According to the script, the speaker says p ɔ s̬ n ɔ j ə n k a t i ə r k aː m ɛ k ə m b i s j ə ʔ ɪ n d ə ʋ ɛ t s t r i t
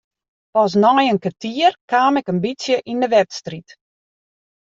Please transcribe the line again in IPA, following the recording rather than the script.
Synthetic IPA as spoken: p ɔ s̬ n ɔ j ə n k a t i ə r k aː m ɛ k ə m b i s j ə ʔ i n d ə ʋ ɛ t s t r i t